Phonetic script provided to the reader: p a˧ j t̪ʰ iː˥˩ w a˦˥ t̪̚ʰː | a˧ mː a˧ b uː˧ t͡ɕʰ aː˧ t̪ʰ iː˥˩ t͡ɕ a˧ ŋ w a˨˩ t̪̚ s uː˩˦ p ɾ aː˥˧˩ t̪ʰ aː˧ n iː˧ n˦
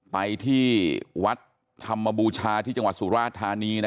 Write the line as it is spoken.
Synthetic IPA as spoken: p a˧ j t̪ʰ iː˥˩ w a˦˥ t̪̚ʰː | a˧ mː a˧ b uː˧ t͡ɕʰ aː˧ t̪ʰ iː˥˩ t͡ɕ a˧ ŋ w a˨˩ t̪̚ s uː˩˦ ɾ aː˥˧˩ t̪ʰ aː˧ n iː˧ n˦